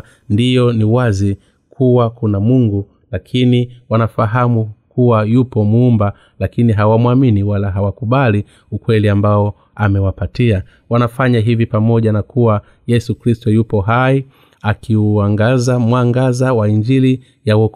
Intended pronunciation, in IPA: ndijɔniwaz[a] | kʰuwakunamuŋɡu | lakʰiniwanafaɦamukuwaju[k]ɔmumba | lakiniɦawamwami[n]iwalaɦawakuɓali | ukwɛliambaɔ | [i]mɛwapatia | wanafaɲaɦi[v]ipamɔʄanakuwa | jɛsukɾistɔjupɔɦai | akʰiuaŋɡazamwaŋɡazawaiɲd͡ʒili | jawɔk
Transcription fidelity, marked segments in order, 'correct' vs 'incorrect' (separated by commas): incorrect, incorrect, correct, incorrect, correct